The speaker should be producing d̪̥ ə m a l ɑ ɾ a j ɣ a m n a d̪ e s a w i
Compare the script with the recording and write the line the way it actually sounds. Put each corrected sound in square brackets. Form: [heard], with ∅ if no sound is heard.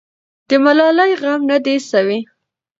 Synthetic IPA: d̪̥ ə m a l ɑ [l] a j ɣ a m n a d̪ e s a w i